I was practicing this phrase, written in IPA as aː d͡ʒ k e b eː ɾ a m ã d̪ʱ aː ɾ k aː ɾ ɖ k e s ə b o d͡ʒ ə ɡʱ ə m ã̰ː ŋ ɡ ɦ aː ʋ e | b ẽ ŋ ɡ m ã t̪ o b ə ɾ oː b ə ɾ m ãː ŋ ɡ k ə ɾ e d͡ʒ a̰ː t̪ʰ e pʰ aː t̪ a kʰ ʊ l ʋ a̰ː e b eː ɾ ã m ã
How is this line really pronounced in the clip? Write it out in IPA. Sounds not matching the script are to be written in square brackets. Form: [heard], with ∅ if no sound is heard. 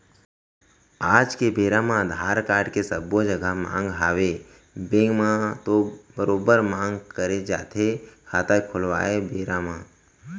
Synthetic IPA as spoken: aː d͡ʒ k e b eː ɾ a m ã d̪ʱ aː ɾ k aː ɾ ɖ k e s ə b o d͡ʒ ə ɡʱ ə m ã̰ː ŋ ɡ ɦ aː ʋ e | b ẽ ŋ ɡ m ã t̪ o b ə ɾ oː b ə ɾ m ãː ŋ ɡ k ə ɾ e d͡ʒ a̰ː t̪ʰ e [kʰ] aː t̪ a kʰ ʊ l ʋ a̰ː e b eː ɾ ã m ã

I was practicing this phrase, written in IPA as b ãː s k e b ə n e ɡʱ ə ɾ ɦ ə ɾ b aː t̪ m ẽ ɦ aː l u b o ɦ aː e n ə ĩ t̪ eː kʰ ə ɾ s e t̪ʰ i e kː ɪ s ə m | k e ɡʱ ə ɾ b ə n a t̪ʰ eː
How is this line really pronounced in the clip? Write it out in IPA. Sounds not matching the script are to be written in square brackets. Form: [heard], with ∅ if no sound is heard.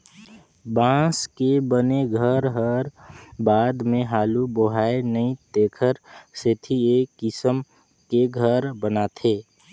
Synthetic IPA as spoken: b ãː s k e b ə n e ɡʱ ə ɾ ɦ ə ɾ b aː [d̪] m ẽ ɦ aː l u b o ɦ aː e n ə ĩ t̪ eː kʰ ə ɾ s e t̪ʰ i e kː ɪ s ə m | k e ɡʱ ə ɾ b ə n a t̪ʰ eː

